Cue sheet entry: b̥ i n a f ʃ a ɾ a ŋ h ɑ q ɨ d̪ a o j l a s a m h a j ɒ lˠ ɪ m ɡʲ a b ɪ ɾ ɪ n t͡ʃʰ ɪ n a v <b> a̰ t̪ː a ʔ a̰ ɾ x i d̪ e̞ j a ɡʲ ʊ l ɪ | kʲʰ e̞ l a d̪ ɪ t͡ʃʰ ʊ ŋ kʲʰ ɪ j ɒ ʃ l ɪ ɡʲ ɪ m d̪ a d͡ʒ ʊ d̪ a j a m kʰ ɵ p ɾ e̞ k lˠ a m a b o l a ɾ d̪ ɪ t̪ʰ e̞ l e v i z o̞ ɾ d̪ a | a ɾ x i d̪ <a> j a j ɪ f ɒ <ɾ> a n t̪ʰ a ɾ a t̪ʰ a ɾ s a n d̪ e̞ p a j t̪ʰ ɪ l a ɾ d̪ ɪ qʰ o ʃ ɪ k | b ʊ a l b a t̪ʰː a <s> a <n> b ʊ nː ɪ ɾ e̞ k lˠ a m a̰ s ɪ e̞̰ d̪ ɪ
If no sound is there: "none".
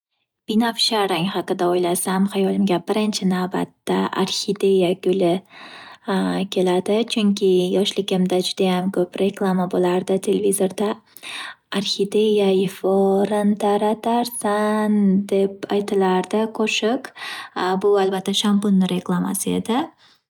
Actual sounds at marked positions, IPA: b, e, ɾ, ʃ, m

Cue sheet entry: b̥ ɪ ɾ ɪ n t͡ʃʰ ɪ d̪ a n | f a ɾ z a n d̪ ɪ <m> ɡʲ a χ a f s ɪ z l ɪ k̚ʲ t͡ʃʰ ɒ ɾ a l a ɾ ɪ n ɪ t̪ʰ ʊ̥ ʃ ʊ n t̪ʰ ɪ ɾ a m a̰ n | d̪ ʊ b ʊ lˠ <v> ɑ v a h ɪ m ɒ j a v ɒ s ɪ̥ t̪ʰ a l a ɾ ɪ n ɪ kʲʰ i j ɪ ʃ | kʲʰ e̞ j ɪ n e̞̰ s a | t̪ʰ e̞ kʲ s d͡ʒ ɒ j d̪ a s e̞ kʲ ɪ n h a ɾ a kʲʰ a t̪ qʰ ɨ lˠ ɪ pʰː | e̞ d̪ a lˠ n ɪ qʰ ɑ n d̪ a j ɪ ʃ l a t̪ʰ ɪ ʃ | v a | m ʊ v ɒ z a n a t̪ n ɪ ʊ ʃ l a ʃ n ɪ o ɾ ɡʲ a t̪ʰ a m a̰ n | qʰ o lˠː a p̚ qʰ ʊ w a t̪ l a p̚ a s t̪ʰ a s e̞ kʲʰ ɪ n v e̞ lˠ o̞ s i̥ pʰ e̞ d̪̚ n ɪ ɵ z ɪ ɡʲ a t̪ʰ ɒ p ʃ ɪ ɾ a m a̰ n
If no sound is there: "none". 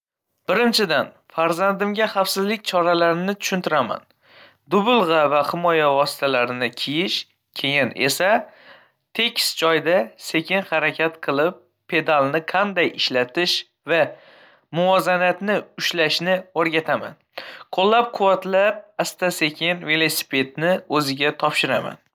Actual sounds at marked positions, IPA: m, ʁ

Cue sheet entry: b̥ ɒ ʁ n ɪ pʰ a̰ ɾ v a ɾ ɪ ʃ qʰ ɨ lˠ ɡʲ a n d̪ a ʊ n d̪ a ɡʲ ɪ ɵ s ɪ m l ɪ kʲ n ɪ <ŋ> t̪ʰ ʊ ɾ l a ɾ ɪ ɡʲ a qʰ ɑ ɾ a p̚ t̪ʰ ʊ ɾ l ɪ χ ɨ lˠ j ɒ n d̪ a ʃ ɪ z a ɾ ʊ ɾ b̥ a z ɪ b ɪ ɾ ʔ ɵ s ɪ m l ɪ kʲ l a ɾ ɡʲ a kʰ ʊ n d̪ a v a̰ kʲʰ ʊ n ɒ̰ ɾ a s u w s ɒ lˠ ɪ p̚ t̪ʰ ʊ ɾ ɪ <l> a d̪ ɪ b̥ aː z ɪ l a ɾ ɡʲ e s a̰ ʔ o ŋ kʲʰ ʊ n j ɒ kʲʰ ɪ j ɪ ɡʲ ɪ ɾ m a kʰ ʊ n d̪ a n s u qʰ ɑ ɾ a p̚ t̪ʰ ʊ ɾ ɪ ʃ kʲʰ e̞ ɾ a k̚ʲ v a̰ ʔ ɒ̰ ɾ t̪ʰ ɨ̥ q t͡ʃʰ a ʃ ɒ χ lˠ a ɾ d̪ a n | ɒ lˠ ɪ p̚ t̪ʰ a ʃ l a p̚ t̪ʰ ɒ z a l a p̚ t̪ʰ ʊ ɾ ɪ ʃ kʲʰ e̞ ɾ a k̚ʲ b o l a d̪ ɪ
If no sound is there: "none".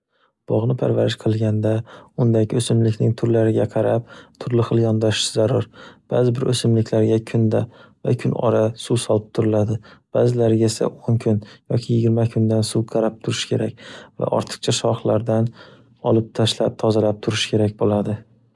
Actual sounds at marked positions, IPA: ŋ, l

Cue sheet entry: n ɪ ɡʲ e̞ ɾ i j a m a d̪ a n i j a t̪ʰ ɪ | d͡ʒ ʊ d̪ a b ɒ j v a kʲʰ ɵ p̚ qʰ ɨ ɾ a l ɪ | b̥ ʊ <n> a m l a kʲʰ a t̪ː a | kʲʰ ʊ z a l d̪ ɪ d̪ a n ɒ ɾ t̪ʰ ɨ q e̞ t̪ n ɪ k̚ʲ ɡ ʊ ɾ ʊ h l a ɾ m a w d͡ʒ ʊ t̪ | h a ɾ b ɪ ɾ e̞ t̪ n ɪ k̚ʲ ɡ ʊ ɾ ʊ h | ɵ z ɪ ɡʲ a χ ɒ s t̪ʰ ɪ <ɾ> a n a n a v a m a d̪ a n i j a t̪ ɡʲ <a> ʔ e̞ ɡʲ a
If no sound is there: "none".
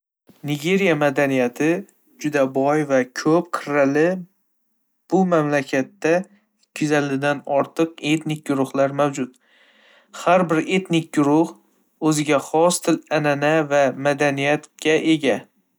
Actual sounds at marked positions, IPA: m, l, a

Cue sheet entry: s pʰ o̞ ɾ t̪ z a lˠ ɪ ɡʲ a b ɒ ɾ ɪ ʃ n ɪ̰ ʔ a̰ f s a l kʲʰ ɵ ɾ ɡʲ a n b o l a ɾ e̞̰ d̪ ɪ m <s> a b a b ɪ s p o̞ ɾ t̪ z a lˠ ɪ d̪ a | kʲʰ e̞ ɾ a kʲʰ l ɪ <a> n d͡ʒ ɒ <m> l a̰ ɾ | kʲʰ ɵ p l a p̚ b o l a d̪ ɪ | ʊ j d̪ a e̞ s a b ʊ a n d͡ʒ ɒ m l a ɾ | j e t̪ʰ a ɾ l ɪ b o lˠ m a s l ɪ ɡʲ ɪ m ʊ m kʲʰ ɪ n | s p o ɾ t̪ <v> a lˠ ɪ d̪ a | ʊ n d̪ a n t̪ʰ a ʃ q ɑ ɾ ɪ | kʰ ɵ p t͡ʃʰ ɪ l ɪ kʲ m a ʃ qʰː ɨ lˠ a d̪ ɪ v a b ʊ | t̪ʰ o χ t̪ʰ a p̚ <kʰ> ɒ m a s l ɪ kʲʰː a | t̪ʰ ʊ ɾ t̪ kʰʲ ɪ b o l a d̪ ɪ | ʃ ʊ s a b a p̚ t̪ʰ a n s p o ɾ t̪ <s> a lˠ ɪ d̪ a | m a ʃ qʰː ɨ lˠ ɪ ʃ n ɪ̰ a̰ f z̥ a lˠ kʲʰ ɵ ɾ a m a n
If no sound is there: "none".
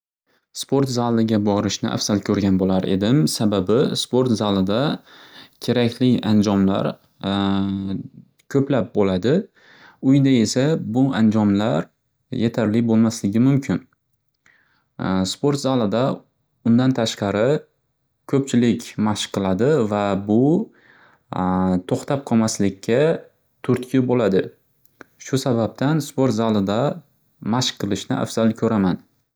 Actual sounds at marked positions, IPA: s, a, m, z, qʰ, z

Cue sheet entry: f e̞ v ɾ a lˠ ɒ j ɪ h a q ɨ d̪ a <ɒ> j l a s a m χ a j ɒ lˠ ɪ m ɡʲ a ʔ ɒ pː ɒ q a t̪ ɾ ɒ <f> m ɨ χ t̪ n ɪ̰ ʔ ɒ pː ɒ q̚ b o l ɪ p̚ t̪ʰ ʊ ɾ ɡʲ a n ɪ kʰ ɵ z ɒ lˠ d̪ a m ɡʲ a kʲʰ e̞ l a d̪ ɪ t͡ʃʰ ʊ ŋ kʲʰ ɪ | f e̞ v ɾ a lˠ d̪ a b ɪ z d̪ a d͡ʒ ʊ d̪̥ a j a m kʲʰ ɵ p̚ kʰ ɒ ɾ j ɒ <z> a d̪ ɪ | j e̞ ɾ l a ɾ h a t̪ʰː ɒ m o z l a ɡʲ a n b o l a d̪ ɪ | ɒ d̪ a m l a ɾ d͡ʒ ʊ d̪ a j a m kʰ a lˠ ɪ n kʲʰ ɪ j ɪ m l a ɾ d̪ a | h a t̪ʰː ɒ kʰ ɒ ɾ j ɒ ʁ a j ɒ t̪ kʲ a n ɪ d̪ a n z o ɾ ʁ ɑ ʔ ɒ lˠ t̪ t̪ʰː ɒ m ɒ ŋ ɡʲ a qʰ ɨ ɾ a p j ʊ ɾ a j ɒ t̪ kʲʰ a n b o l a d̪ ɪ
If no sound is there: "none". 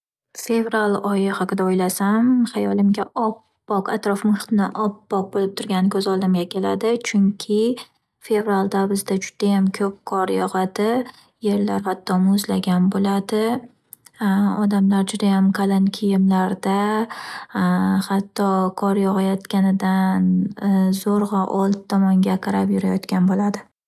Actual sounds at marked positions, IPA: o, f, ʁ

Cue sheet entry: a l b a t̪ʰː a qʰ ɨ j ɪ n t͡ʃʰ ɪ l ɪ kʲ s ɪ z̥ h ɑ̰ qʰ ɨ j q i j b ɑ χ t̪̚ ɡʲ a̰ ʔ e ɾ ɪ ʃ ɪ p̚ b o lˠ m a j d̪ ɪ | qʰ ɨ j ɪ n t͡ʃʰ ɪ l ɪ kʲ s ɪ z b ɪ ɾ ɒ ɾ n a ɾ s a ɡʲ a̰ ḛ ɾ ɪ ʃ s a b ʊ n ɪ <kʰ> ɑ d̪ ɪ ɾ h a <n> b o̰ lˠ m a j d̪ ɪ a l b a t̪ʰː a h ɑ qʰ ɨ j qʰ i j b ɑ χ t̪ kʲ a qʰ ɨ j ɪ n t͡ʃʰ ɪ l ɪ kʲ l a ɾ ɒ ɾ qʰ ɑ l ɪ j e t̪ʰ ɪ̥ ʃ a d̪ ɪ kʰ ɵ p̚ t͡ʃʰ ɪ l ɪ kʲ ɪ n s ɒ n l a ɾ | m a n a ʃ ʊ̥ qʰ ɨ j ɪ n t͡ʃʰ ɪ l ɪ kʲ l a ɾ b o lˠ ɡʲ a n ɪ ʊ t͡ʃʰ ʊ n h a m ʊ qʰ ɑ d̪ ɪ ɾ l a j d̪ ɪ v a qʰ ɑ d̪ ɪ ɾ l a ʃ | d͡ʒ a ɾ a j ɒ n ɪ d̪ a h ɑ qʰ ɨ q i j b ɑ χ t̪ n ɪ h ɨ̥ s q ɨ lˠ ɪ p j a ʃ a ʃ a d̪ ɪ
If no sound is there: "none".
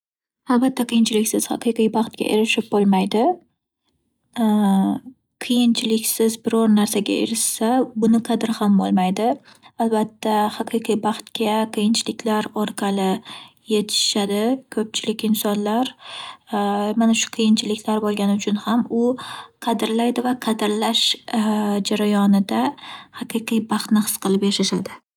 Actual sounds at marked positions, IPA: qʰ, m

